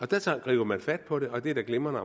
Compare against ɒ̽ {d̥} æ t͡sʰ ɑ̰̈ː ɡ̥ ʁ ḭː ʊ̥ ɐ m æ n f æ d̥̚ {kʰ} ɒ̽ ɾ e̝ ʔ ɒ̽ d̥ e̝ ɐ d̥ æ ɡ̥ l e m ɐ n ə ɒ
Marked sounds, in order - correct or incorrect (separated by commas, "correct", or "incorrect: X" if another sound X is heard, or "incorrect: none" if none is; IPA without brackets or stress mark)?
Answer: correct, incorrect: pʰ